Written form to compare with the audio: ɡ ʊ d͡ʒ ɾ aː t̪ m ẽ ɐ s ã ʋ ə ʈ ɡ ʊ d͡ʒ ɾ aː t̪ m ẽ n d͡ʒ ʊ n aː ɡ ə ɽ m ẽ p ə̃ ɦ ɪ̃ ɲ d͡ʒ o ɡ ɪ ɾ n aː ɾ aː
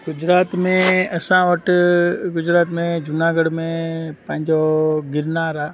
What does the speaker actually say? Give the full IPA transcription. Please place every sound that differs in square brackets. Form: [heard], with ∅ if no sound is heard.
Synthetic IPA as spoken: ɡ ʊ d͡ʒ ɾ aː t̪ m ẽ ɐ s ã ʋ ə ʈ ɡ ʊ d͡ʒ ɾ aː t̪ m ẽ [∅] d͡ʒ ʊ n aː ɡ ə ɽ m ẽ p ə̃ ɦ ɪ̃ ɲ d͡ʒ o ɡ ɪ ɾ n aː ɾ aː